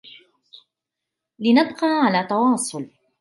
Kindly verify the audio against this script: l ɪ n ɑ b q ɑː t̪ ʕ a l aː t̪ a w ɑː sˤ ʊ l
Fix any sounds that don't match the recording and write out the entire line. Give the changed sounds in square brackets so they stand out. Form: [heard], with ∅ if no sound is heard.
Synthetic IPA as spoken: l ɪ n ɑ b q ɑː [∅] ʕ a l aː t̪ [ɑ] w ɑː sˤ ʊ l